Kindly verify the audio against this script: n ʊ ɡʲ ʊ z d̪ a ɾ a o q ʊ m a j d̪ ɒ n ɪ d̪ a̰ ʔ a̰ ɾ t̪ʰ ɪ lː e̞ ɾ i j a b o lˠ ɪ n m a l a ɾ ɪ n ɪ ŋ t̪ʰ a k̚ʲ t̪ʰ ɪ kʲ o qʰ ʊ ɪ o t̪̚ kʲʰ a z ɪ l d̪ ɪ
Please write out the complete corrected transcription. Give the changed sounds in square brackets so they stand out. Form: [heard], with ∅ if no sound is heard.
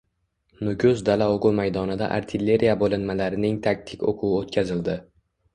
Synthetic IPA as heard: n ʊ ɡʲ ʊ z d̪ a [l] a o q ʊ m a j d̪ ɒ n ɪ d̪ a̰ ʔ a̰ ɾ t̪ʰ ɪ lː e̞ ɾ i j a b o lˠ ɪ n m a l a ɾ ɪ n ɪ ŋ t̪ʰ a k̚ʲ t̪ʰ ɪ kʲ o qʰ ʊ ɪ o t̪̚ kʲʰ a z ɪ l d̪ ɪ